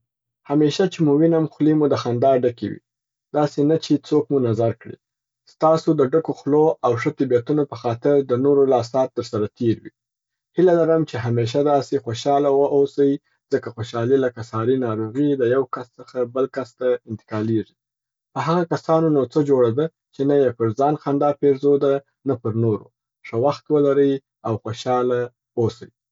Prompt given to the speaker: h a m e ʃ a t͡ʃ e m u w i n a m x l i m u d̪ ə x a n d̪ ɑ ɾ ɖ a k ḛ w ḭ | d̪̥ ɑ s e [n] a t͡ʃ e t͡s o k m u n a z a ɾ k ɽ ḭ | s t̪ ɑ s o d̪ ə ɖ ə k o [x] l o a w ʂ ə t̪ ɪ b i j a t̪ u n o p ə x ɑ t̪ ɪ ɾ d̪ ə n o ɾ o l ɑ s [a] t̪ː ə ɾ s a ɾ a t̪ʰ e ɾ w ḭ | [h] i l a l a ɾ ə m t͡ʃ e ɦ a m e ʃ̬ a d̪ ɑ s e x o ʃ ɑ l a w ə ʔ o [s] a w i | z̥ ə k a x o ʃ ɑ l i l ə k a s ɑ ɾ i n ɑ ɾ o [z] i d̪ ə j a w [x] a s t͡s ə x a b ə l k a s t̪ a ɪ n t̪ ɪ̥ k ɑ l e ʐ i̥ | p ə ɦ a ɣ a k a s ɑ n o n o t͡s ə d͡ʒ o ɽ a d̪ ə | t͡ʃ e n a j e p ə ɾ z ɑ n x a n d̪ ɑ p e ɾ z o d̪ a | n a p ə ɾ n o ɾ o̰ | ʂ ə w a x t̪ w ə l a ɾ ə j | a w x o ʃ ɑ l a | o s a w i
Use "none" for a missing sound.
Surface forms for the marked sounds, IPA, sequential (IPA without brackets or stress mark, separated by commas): n, x, ɑ, h, s, ɣ, k